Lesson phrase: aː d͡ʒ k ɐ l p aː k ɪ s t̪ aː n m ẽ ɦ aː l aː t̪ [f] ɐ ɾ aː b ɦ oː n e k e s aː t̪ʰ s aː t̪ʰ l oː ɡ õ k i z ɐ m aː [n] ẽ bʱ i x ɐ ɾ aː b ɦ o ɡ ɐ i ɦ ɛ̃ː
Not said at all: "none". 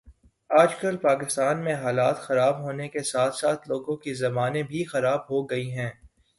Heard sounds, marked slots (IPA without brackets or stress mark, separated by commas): x, n